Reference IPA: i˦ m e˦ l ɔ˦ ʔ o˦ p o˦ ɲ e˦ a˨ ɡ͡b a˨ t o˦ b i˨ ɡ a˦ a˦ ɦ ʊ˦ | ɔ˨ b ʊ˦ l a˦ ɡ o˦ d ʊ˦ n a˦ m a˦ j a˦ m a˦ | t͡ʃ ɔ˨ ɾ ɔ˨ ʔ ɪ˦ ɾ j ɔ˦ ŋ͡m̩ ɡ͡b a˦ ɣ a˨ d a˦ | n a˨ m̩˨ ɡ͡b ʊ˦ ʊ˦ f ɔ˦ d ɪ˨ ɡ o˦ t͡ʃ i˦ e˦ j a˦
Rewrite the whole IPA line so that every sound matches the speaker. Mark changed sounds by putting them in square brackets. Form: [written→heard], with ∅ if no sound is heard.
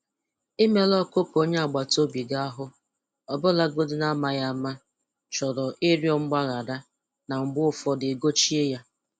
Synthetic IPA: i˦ m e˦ l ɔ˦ [ʔ→k] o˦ p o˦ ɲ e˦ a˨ ɡ͡b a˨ t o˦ b i˨ ɡ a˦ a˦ ɦ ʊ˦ | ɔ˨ b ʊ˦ l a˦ ɡ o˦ d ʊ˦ n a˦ m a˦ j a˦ m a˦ | t͡ʃ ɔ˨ ɾ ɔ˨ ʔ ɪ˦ ɾ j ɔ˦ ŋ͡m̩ ɡ͡b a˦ ɣ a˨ d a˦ | n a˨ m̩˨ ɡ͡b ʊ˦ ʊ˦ f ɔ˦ d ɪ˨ ɡ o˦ t͡ʃ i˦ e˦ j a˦